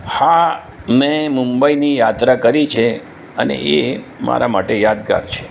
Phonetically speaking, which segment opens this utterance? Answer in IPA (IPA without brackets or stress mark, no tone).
h